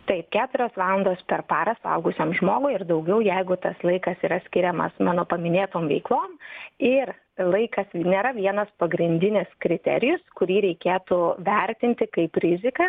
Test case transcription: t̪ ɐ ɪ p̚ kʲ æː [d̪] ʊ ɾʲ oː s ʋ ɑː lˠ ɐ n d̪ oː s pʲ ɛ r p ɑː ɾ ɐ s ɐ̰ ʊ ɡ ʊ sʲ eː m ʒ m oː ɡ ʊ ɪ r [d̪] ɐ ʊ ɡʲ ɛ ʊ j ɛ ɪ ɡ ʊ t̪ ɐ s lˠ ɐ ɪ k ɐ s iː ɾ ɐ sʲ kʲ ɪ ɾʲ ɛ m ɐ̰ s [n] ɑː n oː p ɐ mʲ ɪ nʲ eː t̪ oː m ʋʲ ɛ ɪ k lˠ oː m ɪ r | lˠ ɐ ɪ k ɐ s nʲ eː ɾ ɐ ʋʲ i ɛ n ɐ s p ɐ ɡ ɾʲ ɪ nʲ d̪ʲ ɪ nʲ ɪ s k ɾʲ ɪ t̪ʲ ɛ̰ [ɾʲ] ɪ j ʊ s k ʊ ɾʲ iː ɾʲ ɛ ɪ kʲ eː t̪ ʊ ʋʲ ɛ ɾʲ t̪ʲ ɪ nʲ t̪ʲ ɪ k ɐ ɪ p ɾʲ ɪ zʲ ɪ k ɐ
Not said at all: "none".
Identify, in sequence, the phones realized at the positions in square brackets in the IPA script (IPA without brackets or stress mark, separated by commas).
t̪, d̪, m, ɾʲ